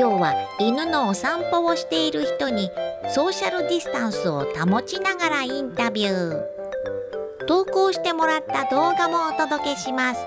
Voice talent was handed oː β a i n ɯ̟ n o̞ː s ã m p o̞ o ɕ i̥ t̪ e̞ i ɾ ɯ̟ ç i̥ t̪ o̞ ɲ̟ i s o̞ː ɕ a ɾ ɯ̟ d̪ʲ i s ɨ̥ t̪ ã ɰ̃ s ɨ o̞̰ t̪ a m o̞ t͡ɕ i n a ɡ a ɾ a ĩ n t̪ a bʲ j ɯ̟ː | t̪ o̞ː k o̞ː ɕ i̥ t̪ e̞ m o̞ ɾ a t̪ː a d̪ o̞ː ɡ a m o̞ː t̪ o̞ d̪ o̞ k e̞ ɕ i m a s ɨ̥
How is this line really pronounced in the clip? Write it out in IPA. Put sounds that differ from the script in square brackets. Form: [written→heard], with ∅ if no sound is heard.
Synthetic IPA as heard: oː β a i n ɯ̟ n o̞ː s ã m p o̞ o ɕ i̥ t̪ e̞ i ɾ ɯ̟ ç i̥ t̪ o̞ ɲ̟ i s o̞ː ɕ a ɾ ɯ̟ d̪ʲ i s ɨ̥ t̪ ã ɰ̃ s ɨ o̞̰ t̪ a m o̞ t͡ɕ i n a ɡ a ɾ a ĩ n t̪ a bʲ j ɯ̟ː | t̪ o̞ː k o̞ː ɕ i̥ t̪ e̞ m o̞ ɾ a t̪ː a d̪ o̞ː ɡ a m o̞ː t̪ o̞ d̪ o̞ k e̞ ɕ i m a s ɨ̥